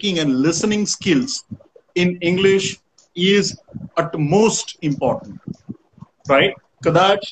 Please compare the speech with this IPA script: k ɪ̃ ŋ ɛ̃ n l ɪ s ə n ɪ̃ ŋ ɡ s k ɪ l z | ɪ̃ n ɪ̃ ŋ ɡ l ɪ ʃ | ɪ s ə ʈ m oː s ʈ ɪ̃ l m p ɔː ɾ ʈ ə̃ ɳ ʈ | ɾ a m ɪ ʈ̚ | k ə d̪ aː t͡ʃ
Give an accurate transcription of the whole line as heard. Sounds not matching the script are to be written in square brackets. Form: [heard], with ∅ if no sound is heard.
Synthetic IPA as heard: k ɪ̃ ŋ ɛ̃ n l ɪ s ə n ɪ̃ ŋ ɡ s k ɪ l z | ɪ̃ n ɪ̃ ŋ ɡ l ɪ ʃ | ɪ [z] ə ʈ m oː s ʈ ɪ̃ [∅] m p ɔː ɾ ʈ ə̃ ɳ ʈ | ɾ a [∅] ɪ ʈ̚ | k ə d̪ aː t͡ʃ